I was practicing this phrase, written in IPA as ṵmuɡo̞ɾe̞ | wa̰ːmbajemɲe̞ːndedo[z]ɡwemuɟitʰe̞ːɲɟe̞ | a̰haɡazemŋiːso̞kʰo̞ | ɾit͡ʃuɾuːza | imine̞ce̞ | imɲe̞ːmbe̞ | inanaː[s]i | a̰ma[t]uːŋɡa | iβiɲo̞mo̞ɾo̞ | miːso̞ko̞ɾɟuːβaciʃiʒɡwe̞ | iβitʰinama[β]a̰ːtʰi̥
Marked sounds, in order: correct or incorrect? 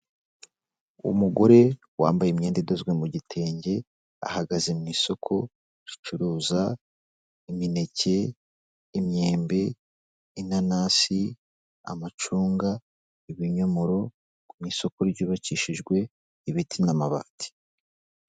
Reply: correct, correct, incorrect: t͡ʃ, correct

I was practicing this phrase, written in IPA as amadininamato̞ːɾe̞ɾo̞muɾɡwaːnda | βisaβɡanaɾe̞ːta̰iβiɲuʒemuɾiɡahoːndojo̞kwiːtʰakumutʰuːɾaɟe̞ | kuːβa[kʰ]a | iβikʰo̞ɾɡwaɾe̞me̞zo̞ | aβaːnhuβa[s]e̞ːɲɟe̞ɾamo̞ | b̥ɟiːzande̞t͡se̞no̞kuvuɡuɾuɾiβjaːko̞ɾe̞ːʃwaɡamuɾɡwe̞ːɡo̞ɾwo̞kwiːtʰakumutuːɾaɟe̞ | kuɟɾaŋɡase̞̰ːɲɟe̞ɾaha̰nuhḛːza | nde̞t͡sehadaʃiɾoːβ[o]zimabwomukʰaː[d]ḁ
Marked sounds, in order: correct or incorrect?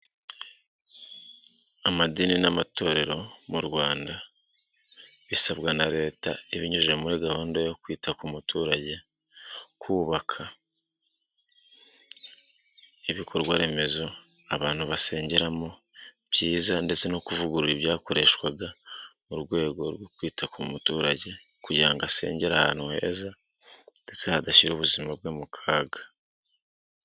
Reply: correct, correct, incorrect: u, incorrect: ɡ

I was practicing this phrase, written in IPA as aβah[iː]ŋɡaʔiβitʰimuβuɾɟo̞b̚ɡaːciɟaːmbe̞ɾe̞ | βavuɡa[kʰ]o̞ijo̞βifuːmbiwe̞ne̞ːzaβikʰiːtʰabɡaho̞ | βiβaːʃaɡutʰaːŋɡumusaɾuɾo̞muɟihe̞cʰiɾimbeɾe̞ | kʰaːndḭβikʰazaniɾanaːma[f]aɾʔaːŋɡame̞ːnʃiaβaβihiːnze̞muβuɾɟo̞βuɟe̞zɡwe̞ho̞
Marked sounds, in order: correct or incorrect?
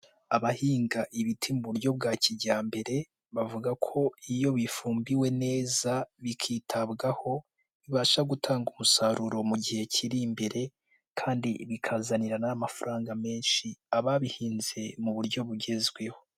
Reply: correct, correct, correct

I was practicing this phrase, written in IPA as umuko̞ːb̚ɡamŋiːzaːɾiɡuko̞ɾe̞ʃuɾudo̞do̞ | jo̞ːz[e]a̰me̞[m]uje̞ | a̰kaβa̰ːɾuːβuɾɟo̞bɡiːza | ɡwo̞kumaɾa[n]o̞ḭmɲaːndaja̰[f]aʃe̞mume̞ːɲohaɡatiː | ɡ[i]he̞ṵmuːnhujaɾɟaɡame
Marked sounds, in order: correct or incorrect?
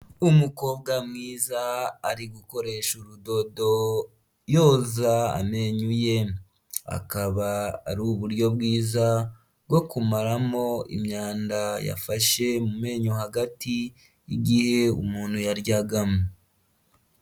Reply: incorrect: a, incorrect: ɲ, incorrect: m, correct, correct

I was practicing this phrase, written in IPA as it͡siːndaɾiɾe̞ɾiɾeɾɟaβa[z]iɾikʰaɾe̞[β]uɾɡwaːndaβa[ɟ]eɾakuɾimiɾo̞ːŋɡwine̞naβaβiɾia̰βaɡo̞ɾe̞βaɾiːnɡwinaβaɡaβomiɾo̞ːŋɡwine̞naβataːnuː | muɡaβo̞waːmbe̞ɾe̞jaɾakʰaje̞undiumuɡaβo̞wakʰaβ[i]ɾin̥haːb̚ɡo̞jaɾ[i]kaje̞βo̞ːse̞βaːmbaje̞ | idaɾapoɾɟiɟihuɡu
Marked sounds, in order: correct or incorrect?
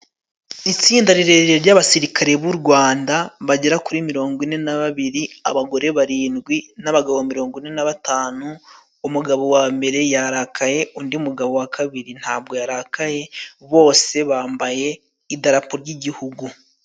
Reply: incorrect: s, correct, correct, correct, incorrect: a

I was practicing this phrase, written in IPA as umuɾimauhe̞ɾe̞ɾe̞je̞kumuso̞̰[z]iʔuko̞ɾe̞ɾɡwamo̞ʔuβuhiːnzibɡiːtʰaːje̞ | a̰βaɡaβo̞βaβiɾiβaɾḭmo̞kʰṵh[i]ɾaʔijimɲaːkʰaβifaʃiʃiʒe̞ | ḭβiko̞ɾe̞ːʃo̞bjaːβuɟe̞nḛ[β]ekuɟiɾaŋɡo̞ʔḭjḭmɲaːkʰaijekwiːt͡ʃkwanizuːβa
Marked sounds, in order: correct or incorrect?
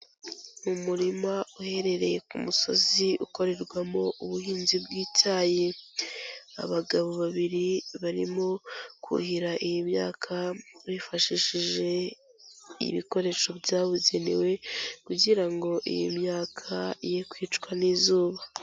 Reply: correct, correct, incorrect: w

